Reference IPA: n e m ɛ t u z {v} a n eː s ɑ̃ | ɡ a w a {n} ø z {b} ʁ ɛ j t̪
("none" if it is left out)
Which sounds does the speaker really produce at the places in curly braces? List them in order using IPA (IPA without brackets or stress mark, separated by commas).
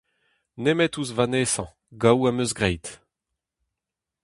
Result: v, m, ɡ